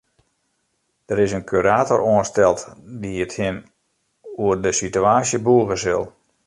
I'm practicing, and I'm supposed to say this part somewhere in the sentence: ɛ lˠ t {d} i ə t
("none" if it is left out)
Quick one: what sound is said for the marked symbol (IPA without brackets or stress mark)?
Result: d